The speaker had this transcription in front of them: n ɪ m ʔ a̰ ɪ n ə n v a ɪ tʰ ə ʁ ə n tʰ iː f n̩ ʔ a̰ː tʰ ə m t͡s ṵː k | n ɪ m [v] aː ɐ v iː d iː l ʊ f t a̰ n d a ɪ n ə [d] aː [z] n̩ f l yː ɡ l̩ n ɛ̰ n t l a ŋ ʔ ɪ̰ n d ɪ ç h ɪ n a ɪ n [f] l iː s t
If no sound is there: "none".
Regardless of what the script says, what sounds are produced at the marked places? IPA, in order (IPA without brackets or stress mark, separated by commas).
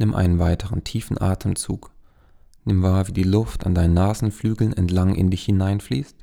v, n, z, f